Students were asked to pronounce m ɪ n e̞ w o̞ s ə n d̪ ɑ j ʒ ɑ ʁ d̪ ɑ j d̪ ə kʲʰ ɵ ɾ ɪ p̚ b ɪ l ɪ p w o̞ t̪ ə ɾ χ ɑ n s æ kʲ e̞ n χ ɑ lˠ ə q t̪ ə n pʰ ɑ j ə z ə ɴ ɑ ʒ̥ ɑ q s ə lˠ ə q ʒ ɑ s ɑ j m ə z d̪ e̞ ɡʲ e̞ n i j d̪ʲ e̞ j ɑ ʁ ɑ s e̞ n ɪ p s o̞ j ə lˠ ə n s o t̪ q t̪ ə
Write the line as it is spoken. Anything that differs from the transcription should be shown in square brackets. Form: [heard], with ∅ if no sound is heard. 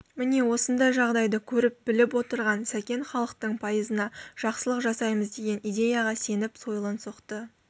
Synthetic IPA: m ɪ n e̞ w o̞ s ə n d̪ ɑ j ʒ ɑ ʁ d̪ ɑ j d̪ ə kʲʰ ɵ ɾ ɪ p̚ b ɪ l ɪ p w o̞ t̪ ə ɾ [ʁ] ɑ n s æ kʲ e̞ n χ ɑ lˠ ə q t̪ ə [ɴ] pʰ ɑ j ə z ə [n] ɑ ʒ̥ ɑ q s ə lˠ ə q ʒ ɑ s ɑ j m ə z d̪ e̞ ɡʲ e̞ n i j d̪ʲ e̞ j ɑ ʁ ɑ s e̞ n ɪ p s o̞ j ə lˠ ə n s o [∅] q t̪ ə